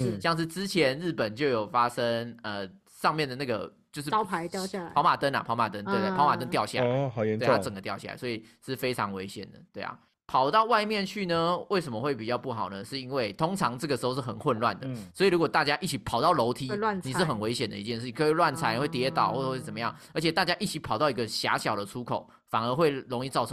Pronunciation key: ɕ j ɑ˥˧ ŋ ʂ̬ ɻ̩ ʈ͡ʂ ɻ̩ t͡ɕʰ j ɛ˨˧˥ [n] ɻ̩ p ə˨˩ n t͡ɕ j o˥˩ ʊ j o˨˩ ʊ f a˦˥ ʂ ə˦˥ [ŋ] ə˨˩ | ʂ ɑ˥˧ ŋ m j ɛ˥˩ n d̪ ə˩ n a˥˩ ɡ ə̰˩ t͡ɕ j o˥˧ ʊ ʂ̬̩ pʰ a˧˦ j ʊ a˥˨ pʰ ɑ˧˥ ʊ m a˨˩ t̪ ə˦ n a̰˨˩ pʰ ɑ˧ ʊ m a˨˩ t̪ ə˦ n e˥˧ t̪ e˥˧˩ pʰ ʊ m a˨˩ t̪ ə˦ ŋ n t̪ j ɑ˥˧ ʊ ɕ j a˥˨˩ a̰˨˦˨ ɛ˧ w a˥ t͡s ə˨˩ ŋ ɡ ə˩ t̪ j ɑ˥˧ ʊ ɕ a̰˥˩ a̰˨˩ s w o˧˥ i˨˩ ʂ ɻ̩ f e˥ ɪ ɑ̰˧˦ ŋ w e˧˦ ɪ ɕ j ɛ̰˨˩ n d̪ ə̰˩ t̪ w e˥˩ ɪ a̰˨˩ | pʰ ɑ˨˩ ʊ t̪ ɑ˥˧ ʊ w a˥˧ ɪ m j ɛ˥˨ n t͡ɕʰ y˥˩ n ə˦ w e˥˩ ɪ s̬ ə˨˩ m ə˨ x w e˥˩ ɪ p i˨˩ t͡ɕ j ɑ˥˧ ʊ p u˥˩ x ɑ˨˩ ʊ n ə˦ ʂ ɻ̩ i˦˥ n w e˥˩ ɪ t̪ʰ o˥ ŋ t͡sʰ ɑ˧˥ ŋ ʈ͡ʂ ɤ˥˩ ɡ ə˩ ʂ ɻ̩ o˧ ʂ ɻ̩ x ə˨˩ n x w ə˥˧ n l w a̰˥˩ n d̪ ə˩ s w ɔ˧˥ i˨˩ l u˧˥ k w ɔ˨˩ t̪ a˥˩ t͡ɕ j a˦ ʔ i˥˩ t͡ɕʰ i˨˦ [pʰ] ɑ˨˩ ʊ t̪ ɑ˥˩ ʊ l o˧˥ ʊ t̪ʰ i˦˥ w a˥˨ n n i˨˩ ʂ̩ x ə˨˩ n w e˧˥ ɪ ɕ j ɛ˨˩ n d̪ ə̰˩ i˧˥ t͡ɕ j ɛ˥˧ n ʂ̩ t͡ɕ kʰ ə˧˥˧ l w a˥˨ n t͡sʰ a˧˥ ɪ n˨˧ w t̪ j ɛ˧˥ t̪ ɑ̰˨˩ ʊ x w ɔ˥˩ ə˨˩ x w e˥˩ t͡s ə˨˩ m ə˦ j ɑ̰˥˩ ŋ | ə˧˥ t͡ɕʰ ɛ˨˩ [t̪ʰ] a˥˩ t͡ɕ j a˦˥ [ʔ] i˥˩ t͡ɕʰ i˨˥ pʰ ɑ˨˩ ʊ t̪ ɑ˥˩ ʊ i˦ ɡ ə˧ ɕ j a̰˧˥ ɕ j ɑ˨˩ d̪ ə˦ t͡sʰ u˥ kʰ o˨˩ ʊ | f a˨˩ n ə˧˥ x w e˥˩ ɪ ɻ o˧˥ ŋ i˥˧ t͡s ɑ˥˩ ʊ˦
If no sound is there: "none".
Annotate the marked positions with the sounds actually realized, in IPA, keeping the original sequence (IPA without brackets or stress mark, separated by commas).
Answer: n, ŋ, pʰ, t̪, ʔ